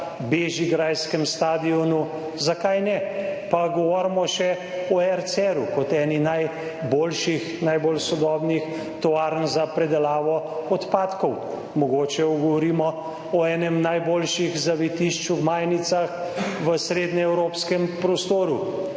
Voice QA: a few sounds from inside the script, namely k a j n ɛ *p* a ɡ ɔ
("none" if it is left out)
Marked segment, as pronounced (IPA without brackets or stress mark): p